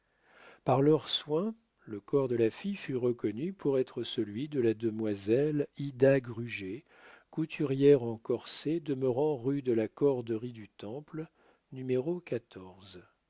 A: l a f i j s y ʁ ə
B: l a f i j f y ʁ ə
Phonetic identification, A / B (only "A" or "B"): B